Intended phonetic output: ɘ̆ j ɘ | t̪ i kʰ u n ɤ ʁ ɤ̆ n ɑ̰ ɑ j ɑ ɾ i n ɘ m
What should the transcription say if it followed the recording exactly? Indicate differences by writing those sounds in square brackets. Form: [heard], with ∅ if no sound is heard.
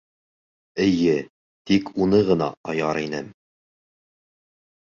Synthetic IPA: ɘ̆ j ɘ | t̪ i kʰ u n ɤ ʁ ɤ̆ n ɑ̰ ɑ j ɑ ɾ i n ɘ m